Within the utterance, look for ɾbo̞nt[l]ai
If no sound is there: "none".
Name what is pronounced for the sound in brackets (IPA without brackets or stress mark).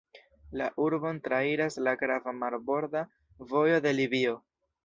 ɾ